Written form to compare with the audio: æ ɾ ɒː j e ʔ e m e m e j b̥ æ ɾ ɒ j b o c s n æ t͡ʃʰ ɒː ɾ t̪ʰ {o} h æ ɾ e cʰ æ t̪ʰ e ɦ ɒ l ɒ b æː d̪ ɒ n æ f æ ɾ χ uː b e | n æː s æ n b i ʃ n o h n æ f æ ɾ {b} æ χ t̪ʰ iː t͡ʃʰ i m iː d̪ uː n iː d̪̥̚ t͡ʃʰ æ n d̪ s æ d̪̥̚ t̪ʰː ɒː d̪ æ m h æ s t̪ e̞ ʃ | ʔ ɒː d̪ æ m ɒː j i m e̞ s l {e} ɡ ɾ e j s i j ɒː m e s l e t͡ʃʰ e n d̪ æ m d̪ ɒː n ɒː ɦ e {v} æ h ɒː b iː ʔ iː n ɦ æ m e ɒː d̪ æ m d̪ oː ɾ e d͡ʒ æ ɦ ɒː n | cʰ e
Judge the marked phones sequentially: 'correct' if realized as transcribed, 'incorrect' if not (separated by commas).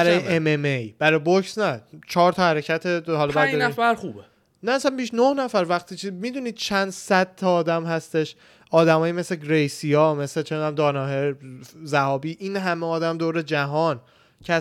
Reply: incorrect, incorrect, correct, incorrect